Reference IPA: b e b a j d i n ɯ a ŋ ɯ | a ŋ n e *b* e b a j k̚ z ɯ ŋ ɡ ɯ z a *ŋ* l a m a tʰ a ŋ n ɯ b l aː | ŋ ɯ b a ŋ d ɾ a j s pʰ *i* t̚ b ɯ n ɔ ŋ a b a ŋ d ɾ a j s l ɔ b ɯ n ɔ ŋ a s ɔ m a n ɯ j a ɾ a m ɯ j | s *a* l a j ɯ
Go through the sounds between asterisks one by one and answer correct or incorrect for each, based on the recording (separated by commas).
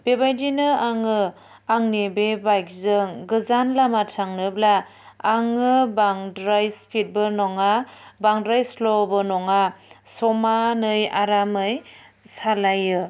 correct, incorrect, correct, correct